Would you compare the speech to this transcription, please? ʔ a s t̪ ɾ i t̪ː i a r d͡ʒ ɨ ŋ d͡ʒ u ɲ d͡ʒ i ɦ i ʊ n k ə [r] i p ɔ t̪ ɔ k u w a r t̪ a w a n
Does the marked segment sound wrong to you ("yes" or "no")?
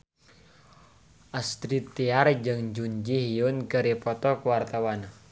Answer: yes